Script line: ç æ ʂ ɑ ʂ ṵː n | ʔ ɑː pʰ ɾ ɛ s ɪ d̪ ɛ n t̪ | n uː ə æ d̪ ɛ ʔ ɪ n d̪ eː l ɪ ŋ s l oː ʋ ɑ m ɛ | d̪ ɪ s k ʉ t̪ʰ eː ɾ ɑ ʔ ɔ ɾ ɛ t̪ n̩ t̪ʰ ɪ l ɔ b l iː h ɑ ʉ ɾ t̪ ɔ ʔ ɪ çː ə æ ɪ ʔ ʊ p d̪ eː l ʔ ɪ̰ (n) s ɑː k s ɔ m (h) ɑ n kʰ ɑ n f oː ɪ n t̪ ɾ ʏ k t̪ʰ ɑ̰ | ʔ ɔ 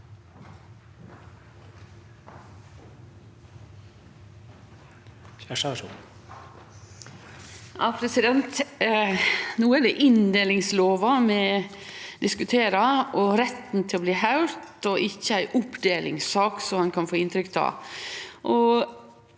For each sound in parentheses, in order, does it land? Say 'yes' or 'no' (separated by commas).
no, yes